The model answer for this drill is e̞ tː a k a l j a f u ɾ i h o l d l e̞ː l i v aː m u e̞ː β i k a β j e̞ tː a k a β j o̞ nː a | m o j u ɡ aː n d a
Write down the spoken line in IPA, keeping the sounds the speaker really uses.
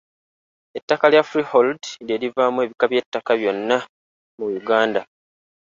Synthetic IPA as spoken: e̞ tː a k a l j a f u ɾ i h o l d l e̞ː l i v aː m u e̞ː β i k a β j e̞ tː a k a β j o̞ nː a | m u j u ɡ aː n d a